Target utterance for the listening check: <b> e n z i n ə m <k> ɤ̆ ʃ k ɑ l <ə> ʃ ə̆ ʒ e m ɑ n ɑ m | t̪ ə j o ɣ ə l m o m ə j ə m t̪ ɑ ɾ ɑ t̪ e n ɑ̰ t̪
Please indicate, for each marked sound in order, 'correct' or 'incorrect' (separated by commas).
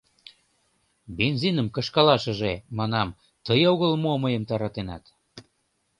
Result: correct, correct, incorrect